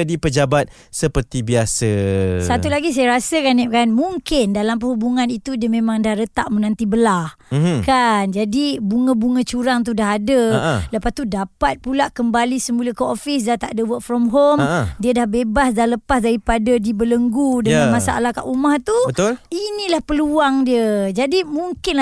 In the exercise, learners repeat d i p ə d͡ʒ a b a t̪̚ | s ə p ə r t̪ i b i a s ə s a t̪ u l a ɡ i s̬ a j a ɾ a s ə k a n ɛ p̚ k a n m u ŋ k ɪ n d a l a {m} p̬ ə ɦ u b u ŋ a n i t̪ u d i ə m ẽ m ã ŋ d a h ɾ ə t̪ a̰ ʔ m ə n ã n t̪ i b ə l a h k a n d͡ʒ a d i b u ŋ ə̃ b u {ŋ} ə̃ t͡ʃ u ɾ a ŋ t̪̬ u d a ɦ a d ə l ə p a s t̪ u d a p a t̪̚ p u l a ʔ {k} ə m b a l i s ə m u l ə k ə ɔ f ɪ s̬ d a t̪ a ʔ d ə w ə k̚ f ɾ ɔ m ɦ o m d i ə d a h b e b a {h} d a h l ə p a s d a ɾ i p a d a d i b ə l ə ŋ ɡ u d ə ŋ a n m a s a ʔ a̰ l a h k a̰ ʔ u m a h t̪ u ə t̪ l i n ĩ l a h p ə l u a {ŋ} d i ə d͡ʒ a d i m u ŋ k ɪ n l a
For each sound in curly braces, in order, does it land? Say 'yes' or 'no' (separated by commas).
yes, yes, yes, no, yes